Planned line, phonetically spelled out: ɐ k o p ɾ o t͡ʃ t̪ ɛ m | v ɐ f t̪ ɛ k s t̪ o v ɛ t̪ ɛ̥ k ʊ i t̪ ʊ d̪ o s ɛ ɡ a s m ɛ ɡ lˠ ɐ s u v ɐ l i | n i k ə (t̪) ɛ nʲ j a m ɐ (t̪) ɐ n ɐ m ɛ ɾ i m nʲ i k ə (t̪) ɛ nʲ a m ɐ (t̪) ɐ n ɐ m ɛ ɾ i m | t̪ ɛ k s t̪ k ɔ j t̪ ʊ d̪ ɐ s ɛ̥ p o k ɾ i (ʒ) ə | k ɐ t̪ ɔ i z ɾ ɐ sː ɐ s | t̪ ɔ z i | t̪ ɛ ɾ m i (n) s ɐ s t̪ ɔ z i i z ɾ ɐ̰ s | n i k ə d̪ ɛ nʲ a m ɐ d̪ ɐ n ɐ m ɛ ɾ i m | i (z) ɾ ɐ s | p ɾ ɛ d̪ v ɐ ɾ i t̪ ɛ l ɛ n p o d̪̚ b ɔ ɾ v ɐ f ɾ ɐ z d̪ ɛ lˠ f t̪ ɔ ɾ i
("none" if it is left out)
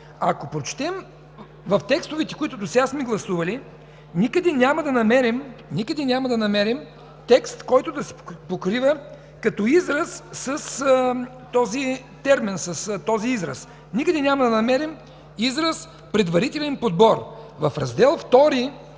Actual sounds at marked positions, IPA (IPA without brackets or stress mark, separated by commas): d̪, d̪, d̪, d̪, v, n, z